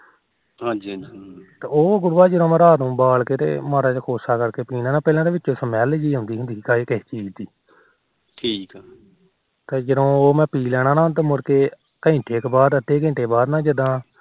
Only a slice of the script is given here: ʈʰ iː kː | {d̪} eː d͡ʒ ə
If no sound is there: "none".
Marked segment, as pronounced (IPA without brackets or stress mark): t̪